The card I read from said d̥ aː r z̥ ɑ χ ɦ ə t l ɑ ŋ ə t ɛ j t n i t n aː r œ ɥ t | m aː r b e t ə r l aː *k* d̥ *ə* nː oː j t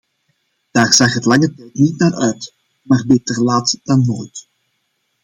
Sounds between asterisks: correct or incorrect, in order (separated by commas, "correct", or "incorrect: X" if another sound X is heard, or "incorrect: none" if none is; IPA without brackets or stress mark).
incorrect: t, incorrect: ɑ